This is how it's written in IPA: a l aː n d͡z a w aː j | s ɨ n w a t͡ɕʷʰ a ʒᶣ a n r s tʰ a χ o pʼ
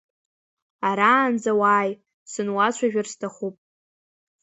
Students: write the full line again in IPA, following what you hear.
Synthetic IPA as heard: a ɾ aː n d͡z a w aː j | s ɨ n w a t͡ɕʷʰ a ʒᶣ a r s tʰ a χ u pʼ